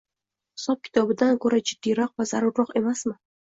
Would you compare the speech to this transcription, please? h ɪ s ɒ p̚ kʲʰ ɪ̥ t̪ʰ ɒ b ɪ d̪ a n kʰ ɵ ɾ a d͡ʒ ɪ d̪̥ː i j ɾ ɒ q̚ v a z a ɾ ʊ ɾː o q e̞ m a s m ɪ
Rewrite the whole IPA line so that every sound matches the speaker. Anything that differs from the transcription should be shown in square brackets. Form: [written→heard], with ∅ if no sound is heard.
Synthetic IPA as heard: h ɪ s ɒ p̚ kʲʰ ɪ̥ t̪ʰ ɒ b ɪ d̪ a n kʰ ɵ ɾ a d͡ʒ ɪ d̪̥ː i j ɾ ɒ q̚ v a z a ɾ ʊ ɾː [o→ɒ] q e̞ m a s m ɪ